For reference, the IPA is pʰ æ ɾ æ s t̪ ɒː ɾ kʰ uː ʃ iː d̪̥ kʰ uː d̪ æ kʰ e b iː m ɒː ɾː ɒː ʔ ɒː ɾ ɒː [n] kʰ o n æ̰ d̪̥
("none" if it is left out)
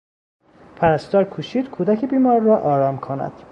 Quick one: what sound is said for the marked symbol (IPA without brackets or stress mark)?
m